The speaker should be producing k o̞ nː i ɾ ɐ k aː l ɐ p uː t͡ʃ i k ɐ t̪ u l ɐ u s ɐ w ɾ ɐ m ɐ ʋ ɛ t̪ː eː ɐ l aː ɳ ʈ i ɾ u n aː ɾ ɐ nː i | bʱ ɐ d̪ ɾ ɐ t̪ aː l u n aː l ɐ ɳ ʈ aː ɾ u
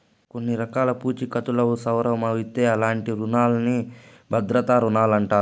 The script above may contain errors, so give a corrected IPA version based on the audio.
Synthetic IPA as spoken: k o̞ nː i ɾ ɐ k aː l ɐ p uː t͡ʃ i k ɐ t̪ u l ɐ u s ɐ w ɾ ɐ m ɐ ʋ i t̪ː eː ɐ l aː ɳ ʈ i ɾ u n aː l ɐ n i | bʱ ɐ d̪ ɾ ɐ t̪ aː ɾ u n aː l ɐ ɳ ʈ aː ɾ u

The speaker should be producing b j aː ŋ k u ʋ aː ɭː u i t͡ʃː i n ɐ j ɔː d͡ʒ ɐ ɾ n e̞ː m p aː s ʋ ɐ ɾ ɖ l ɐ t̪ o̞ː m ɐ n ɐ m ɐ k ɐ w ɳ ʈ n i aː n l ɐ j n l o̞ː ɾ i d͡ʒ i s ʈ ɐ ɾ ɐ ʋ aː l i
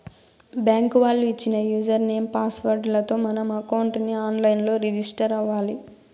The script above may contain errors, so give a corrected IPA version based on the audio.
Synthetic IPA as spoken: b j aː ŋ k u ʋ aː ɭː u i t͡ʃː i n ɐ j uː d͡ʒ ɐ ɾ n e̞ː m p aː s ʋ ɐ ɾ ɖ l ɐ t̪ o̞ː m ɐ n ɐ m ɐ k ɐ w ɳ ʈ n i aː n l ɐ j n l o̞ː ɾ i d͡ʒ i s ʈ ɐ ɾ ɐ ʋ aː l i

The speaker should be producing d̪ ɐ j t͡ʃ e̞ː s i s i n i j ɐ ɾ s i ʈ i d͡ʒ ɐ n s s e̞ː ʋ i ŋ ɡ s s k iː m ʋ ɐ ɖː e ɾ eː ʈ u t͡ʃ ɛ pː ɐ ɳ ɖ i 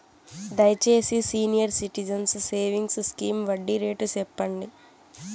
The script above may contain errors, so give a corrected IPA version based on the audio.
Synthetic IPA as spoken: d̪ ɐ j t͡ʃ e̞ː s i s iː n i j ɐ ɾ s i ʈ i d͡ʒ ɐ n s s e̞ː ʋ i ŋ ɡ s s k iː m ʋ ɐ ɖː i ɾ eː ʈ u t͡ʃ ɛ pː ɐ ɳ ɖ i

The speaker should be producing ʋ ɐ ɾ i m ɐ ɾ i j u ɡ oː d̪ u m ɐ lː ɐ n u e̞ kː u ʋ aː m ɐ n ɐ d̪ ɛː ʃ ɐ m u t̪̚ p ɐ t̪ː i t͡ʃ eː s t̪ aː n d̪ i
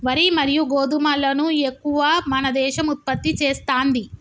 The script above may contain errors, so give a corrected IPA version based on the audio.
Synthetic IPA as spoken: ʋ ɐ ɾ i m ɐ ɾ i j u ɡ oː d̪ u m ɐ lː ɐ n u e̞ kː u ʋ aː m ɐ n ɐ d̪ ɛː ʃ ɐ m u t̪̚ p ɐ t̪ː i t͡ʃ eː s t̪ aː n d̪ i

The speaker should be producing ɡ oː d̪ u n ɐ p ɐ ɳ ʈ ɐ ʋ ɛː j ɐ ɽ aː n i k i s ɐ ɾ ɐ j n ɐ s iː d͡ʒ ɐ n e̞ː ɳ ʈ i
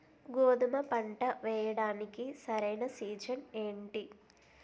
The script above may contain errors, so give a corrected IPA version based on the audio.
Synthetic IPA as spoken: ɡ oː d̪ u m ɐ p ɐ ɳ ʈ ɐ ʋ ɛː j ɐ ɽ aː n i k i s ɐ ɾ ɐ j n ɐ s iː d͡ʒ ɐ n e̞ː ɳ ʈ i

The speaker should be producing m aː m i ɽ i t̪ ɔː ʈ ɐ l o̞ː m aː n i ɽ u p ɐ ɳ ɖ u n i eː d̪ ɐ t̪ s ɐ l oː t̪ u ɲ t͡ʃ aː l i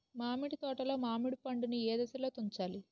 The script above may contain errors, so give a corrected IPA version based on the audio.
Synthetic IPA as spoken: m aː m i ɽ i t̪ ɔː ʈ ɐ l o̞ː m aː m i ɽ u p ɐ ɳ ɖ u n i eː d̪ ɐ s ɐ l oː t̪ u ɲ t͡ʃ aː l i

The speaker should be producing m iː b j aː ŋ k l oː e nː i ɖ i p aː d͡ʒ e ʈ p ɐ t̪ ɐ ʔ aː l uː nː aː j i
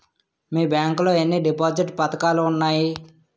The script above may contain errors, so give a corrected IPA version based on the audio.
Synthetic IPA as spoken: m iː b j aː ŋ k l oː e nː i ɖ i p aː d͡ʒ i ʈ p ɐ t̪ ɐ k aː l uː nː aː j i

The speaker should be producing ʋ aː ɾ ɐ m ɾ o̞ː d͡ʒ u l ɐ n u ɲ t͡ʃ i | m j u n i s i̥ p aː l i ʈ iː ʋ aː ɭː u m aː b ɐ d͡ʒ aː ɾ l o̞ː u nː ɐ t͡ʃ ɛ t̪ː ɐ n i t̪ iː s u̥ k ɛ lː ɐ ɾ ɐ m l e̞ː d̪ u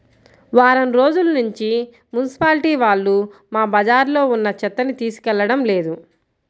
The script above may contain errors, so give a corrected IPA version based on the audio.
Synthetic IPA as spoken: ʋ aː ɾ ɐ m ɾ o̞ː d͡ʒ u l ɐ n u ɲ t͡ʃ i | m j u n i s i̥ p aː l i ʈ iː ʋ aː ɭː u m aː b ɐ d͡ʒ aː ɾ l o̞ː u nː ɐ t͡ʃ ɛ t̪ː ɐ n i t̪ iː s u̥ k ɛ lː ɐ ɽ ɐ m l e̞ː d̪ u

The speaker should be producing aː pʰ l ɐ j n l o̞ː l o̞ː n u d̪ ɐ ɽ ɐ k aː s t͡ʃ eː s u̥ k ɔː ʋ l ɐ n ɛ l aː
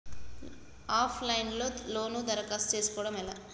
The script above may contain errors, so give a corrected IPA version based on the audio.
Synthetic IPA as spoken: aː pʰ l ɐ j n l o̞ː l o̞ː n u d̪ ɐ ɾ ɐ k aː s t͡ʃ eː s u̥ k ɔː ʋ ɽ ɐ m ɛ l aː

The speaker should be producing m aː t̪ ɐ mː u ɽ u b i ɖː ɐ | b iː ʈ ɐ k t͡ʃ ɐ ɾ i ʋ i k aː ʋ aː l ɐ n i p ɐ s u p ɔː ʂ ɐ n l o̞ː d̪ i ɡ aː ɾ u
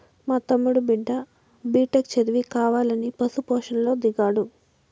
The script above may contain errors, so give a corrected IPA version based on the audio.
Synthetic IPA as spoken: m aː t̪ ɐ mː u ɽ u b i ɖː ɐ | b iː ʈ ɐ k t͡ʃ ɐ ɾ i ʋ i k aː ʋ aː l ɐ n i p ɐ s u p ɔː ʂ ɐ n l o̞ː d̪ i ɡ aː ɽ u

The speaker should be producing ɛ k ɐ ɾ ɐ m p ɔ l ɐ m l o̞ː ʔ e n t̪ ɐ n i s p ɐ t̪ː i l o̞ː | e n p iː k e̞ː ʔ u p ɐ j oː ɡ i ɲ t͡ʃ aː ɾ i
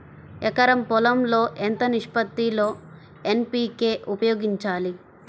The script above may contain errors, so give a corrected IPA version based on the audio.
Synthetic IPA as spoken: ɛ k ɐ ɾ ɐ m p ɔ l ɐ m l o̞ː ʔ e n t̪ ɐ n i ʂ p ɐ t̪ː i l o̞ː | e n p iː k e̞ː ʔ u p ɐ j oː ɡ i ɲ t͡ʃ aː l i

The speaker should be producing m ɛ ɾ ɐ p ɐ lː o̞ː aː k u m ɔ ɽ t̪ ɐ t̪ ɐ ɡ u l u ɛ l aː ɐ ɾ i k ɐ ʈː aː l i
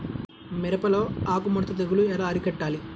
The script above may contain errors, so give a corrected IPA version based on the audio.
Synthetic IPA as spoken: m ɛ ɾ ɐ p ɐ l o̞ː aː k u m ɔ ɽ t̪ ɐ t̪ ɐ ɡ u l u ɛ l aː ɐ ɾ i k ɐ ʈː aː l i

